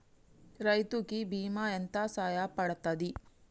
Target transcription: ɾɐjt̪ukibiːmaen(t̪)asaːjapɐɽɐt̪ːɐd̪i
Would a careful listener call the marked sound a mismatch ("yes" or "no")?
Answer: no